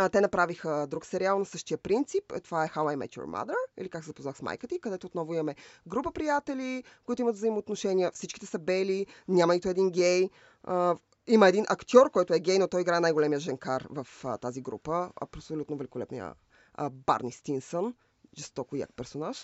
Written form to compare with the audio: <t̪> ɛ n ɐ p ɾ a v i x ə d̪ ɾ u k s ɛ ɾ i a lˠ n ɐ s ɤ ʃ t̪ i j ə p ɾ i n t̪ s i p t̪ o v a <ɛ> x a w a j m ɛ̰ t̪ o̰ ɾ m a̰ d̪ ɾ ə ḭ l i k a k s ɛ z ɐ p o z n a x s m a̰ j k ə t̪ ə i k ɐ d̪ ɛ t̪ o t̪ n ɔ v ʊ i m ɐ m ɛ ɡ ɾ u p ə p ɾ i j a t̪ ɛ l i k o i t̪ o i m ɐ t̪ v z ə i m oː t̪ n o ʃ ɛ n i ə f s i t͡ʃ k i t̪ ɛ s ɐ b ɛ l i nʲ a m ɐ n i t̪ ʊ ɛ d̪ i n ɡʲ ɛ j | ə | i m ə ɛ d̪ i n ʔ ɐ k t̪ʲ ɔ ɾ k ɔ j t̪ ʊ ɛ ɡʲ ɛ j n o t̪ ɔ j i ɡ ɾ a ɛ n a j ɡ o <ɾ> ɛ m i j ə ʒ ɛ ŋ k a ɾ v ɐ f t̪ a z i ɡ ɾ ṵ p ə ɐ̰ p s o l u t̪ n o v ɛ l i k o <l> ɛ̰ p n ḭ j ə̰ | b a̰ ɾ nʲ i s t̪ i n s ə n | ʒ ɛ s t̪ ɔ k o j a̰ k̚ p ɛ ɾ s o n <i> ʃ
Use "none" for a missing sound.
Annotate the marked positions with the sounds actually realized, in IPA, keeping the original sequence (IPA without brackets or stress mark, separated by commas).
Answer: t̪, ɛ, l, l, a